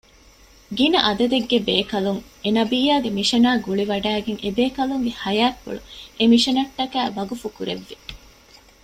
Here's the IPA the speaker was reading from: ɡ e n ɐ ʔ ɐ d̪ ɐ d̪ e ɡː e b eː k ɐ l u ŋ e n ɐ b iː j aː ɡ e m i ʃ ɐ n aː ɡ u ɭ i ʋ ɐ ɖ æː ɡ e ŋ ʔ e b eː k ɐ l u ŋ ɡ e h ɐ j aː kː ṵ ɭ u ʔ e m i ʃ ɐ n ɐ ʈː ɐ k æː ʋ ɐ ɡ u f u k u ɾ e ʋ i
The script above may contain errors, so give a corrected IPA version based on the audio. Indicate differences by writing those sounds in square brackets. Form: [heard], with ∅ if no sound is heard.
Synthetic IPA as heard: ɡ [i] n ɐ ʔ ɐ d̪ ɐ d̪ e ɡː e b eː k ɐ l u ŋ e n ɐ b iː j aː ɡ e m i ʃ ɐ n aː ɡ u ɭ i ʋ ɐ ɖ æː ɡ e ŋ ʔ e b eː k ɐ l u ŋ ɡ e h ɐ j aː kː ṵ ɭ u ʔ e m i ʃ ɐ n ɐ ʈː ɐ k æː ʋ ɐ ɡ u f u k u ɾ e [ʋː] i